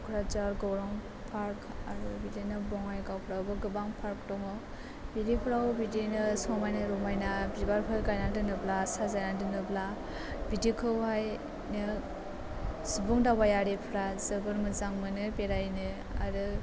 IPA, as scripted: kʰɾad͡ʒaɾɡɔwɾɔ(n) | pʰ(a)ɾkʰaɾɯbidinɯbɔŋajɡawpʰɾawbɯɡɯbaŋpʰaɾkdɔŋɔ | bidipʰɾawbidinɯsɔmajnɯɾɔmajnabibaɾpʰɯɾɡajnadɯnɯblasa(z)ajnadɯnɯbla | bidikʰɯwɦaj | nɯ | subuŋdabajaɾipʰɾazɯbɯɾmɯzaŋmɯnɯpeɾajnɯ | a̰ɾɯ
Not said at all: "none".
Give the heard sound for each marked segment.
ŋ, a, z

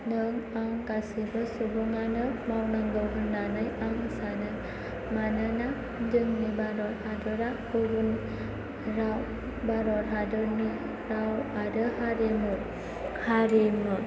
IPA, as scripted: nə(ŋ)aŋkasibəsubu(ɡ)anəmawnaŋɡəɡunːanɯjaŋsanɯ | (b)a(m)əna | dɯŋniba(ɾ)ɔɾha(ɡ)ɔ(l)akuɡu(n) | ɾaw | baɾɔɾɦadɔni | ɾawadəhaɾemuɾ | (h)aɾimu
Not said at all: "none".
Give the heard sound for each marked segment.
ŋ, ŋ, m, n, ɾ, d, ɾ, n, h

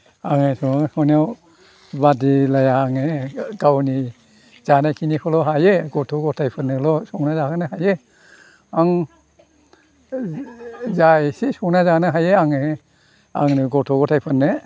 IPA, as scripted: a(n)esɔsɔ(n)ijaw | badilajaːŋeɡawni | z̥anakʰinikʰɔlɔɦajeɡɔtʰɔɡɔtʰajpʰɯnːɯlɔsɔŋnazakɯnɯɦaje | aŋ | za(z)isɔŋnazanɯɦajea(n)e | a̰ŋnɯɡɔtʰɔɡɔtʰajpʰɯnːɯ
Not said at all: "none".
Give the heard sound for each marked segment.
ŋ, n, s, ŋ

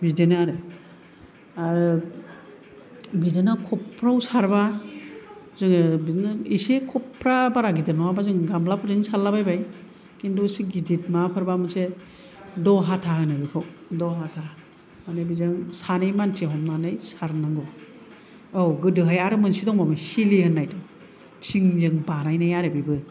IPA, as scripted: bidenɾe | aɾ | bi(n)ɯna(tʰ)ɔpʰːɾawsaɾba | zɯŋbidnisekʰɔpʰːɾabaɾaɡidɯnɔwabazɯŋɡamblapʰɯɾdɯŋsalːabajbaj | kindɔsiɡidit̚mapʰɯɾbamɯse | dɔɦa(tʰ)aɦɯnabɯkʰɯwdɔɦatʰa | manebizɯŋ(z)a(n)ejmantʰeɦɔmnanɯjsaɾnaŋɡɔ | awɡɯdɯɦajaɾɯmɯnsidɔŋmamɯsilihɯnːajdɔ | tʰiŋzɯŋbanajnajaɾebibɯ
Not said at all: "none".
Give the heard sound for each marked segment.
d, kʰ, tʰ, s, n

